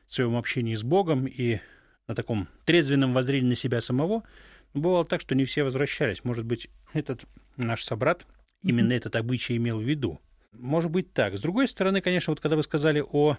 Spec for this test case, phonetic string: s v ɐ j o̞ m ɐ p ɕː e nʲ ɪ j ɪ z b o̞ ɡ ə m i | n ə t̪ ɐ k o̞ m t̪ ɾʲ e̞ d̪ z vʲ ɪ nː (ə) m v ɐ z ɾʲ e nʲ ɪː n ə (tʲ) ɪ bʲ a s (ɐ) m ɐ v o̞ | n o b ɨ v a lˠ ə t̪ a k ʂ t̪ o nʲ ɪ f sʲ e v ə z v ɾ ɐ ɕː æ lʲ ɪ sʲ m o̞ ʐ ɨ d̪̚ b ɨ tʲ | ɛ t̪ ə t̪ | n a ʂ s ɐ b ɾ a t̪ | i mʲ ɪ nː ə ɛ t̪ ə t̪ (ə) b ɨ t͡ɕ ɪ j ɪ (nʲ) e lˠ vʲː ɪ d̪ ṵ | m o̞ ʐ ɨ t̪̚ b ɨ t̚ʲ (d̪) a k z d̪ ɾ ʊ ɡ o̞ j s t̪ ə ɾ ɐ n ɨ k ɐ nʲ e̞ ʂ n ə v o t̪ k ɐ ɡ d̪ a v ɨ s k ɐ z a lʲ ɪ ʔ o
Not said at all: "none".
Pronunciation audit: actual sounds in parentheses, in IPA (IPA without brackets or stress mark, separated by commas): ə, sʲ, ə, ɐ, mʲ, t̪